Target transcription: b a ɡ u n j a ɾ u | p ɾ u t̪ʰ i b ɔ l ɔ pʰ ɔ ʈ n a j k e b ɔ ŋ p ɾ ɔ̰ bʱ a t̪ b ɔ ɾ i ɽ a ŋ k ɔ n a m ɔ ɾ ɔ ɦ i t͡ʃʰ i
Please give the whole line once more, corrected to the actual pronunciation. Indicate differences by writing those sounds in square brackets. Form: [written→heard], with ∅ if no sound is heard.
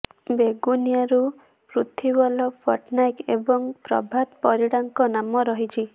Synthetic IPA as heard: b [a→e] ɡ u n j a ɾ u | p ɾ u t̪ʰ i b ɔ l ɔ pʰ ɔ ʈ n a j k e b ɔ ŋ p ɾ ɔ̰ bʱ a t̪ [b→p] ɔ ɾ i ɽ a ŋ k ɔ n a m ɔ ɾ ɔ ɦ i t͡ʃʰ i

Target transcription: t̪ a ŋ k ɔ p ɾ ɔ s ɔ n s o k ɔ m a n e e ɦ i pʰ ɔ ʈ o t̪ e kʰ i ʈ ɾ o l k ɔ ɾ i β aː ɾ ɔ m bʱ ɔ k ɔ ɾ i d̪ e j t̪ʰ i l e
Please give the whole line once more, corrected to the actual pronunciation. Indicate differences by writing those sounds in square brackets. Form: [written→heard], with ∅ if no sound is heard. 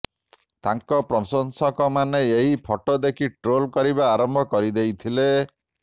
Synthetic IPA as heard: t̪ a ŋ k ɔ p ɾ ɔ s ɔ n s [o→ɔ] k ɔ m a n e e ɦ i pʰ ɔ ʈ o [t̪→d̪] e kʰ i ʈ ɾ o l k ɔ ɾ i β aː ɾ ɔ m bʱ ɔ k ɔ ɾ i d̪ e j t̪ʰ i l e

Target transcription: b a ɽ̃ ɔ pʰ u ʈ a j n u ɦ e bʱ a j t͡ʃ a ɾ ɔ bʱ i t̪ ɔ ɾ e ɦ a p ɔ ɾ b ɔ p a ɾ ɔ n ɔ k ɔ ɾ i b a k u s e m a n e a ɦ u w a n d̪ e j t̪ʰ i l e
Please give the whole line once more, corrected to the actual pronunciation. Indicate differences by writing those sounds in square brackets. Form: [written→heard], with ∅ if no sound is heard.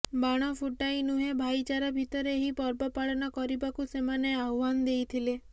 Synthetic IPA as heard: b a ɽ̃ ɔ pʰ u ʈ a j n u ɦ e bʱ a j t͡ʃ a ɾ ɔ bʱ i t̪ ɔ ɾ e ɦ [a→i] p ɔ ɾ b ɔ p a [ɾ→ɭ] ɔ n ɔ k ɔ ɾ i b a k u s e m a n e a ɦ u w a n d̪ e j t̪ʰ i l e

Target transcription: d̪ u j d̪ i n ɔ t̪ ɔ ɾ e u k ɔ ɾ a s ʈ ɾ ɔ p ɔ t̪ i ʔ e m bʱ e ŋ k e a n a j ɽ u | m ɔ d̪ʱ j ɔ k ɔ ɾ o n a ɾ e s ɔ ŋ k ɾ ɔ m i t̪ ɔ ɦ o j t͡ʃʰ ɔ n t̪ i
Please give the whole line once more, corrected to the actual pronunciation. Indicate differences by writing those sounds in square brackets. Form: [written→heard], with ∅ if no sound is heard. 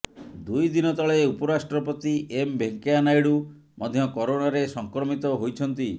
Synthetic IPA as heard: d̪ u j d̪ i n ɔ t̪ ɔ [ɾ→ɭ] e u [k→p] ɔ ɾ a s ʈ ɾ ɔ p ɔ t̪ i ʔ e m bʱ e ŋ k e a n a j ɽ u | m ɔ d̪ʱ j ɔ k ɔ ɾ o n a ɾ e s ɔ ŋ k ɾ ɔ m i t̪ ɔ ɦ o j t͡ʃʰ ɔ n t̪ i

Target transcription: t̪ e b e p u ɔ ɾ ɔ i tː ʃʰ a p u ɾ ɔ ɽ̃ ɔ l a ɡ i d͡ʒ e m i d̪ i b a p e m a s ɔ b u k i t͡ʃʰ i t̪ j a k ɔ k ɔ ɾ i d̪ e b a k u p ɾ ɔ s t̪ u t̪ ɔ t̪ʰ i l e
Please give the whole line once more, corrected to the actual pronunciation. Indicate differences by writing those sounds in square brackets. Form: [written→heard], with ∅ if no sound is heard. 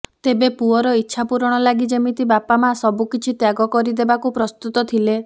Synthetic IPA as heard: t̪ e b e p u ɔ ɾ ɔ i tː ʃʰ a p u ɾ ɔ ɽ̃ ɔ l a ɡ i d͡ʒ e m i [d̪→t̪] i b a p [e→a] m a s ɔ b u k i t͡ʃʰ i t̪ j a [k→ɡ] ɔ k ɔ ɾ i d̪ e b a k u p ɾ ɔ s t̪ u t̪ ɔ t̪ʰ i l e

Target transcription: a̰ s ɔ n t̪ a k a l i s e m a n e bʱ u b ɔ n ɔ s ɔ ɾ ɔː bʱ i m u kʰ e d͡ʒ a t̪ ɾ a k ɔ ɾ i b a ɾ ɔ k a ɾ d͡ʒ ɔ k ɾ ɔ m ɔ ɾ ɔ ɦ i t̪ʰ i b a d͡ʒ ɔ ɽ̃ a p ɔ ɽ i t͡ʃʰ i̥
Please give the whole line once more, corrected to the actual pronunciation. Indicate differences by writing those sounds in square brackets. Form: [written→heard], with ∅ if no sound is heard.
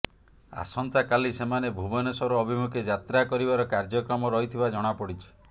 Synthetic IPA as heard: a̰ s ɔ n t̪ a k a l i s e m a n e bʱ u b ɔ n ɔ s ɔ ɾ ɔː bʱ i m u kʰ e d͡ʒ a t̪ ɾ a k ɔ ɾ i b a ɾ ɔ k a ɾ d͡ʒ ɔ k ɾ ɔ m ɔ ɾ ɔ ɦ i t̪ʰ i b a d͡ʒ ɔ ɽ̃ a p ɔ ɽ i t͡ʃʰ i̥

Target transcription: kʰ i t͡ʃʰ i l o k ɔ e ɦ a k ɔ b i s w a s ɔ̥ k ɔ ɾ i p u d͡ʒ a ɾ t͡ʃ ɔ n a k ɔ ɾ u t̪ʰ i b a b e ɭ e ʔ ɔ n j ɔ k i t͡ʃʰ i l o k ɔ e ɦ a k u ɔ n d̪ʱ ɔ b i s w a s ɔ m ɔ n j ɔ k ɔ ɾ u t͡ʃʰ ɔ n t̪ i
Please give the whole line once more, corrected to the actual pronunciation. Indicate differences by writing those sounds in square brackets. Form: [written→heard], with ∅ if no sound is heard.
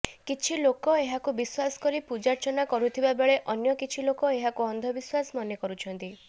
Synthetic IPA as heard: [kʰ→k] i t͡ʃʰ i l o k ɔ e ɦ a k [ɔ→u] b i s w a s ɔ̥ k ɔ ɾ i p u d͡ʒ a ɾ t͡ʃ ɔ n a k ɔ ɾ u t̪ʰ i b a b e ɭ e ʔ ɔ n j ɔ k i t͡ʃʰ i l o k ɔ e ɦ a k u ɔ n d̪ʱ ɔ b i s w a s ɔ m ɔ n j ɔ k ɔ ɾ u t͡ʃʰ ɔ n t̪ i

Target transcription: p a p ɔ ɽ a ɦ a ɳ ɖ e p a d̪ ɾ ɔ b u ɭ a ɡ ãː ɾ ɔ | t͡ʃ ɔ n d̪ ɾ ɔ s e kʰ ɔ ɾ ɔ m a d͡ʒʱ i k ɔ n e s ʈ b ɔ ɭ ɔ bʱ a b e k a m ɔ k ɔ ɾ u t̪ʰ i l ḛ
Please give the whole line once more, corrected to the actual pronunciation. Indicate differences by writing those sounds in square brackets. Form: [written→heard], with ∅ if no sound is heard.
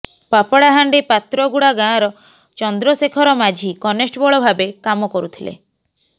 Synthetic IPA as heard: p a p ɔ ɽ a ɦ a ɳ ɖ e p a [d̪→t̪] ɾ ɔ [b→ɡ] u [ɭ→ɽ] a ɡ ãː ɾ ɔ | t͡ʃ ɔ n d̪ ɾ ɔ s e kʰ ɔ ɾ ɔ m a d͡ʒʱ i k ɔ n e s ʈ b ɔ ɭ ɔ bʱ a b e k a m ɔ k ɔ ɾ u t̪ʰ i l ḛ

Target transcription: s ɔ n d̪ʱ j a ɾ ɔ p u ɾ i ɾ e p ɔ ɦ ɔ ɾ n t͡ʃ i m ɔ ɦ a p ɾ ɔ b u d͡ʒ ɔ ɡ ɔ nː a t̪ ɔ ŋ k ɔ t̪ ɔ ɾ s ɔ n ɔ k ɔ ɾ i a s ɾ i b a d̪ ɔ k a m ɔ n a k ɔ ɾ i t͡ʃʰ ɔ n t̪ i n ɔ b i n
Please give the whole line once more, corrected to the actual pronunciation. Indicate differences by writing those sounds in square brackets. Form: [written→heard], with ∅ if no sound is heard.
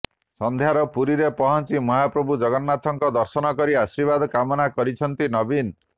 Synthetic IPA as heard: s ɔ n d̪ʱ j a ɾ ɔ p u ɾ i ɾ e p ɔ ɦ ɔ [ɾ→∅] n t͡ʃ i m ɔ ɦ a p ɾ ɔ b u d͡ʒ ɔ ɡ ɔ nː a t̪ ɔ ŋ k ɔ [t̪→d̪] ɔ ɾ s ɔ n ɔ k ɔ ɾ i a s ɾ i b a d̪ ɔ k a m ɔ n a k ɔ ɾ i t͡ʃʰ ɔ n t̪ i n ɔ b i n

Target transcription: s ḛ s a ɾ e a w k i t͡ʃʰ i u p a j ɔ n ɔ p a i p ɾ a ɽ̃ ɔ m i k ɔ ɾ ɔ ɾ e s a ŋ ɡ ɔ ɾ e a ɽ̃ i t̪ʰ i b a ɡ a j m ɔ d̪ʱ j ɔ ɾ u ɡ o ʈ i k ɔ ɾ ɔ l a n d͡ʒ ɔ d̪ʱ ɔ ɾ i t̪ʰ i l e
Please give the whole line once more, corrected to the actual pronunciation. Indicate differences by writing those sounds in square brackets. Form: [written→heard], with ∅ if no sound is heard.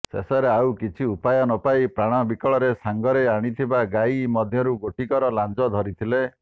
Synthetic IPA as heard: s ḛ s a ɾ e a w k i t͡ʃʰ i u p a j ɔ n ɔ p a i p ɾ a ɽ̃ ɔ [m→b] i k ɔ [ɾ→ɭ] ɔ ɾ e s a ŋ ɡ ɔ ɾ e a ɽ̃ i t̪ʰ i b a ɡ a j m ɔ d̪ʱ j ɔ ɾ u ɡ o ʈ i k ɔ ɾ ɔ l a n d͡ʒ ɔ d̪ʱ ɔ ɾ i t̪ʰ i l e

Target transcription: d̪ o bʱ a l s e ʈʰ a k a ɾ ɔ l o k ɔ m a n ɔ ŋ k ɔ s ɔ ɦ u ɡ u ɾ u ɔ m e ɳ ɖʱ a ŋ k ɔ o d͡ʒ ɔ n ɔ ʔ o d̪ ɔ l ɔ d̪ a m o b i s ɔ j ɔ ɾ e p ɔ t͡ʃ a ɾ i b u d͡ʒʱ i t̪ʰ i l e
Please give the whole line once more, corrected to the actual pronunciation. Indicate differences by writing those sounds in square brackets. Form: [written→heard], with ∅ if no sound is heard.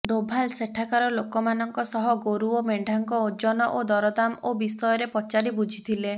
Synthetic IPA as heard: d̪ o bʱ a l s e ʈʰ a k a ɾ ɔ l o k ɔ m a n ɔ ŋ k ɔ s ɔ ɦ [u→ɔ] ɡ [u→o] ɾ u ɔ m e ɳ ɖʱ a ŋ k ɔ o d͡ʒ ɔ n ɔ ʔ o d̪ ɔ [l→ɾ] ɔ d̪ a m o b i s ɔ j ɔ ɾ e p ɔ t͡ʃ a ɾ i b u d͡ʒʱ i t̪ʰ i l e

